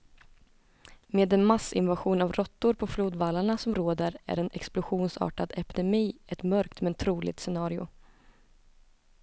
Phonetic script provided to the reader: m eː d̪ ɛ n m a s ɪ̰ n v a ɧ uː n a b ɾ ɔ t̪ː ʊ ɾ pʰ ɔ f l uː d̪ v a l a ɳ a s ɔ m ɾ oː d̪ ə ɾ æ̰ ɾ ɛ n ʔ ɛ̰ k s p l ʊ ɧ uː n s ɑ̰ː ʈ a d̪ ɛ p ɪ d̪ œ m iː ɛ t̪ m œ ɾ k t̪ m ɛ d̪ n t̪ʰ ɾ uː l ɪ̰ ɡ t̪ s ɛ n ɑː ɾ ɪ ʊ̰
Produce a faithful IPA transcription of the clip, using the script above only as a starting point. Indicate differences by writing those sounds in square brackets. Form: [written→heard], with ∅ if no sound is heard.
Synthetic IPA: m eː d̪ ɛ n m a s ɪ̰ n v a ɧ uː n a [b→v] ɾ ɔ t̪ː ʊ ɾ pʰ ɔ f l uː d̪ v a l a ɳ a s ɔ m ɾ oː d̪ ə ɾ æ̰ ɾ ɛ n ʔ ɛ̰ k s p l ʊ ɧ uː n s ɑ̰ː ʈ a d̪ ɛ p ɪ d̪ [œ→ɛ] m iː ɛ t̪ m œ ɾ k t̪ m ɛ [d̪→∅] n t̪ʰ ɾ uː l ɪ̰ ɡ t̪ s ɛ n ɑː ɾ ɪ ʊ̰